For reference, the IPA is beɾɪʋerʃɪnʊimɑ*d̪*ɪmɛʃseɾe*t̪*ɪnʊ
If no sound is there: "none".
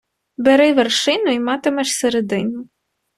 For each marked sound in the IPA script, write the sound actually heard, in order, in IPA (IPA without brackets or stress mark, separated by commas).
t̪, d̪